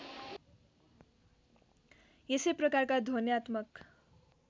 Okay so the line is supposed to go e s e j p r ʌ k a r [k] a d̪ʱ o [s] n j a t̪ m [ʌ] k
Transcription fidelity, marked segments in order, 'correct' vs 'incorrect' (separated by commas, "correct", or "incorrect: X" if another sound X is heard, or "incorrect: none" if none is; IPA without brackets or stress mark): correct, incorrect: none, correct